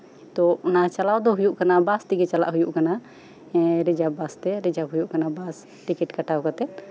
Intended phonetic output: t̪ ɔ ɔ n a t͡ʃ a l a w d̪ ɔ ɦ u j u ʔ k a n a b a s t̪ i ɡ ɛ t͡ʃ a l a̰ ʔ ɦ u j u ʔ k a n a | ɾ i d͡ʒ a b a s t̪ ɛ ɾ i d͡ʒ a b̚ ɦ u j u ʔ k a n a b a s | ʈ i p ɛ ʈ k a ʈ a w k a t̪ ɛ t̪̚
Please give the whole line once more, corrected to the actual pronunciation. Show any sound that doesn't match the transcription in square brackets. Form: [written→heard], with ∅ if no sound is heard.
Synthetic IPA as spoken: t̪ ɔ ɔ n a t͡ʃ a l a w d̪ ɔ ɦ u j u ʔ k a n a b a s t̪ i ɡ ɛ t͡ʃ a l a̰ ʔ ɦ u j u ʔ k a n a | ɾ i d͡ʒ a b a s t̪ ɛ ɾ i d͡ʒ a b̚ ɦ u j u ʔ k a n a b a s | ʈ i [p→k] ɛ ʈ k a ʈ a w k a t̪ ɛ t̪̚